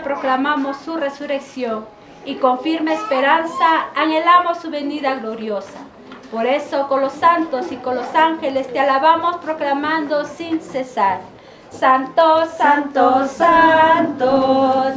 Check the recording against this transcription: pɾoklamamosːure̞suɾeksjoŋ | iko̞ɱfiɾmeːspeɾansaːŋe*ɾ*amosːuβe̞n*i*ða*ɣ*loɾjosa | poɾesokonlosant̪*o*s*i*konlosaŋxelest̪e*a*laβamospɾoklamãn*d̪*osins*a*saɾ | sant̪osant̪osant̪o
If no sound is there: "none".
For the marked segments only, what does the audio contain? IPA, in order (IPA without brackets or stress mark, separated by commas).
l, i, ɣ, o, i, a, d̪, e